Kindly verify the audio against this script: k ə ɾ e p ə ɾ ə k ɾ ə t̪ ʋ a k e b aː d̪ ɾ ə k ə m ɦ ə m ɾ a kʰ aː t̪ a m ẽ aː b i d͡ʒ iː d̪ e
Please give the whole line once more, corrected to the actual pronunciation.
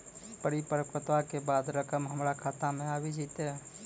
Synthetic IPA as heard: p ə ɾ i p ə ɾ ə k ɾ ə t̪ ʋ a k e b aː d̪ ɾ ə k ə m ɦ ə m ɾ a kʰ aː t̪ a m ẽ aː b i d͡ʒ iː t̪ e